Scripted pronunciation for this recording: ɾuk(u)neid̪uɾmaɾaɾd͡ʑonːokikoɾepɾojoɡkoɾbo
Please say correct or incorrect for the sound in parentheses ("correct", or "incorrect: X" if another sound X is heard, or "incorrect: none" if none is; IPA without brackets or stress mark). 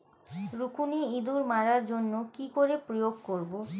correct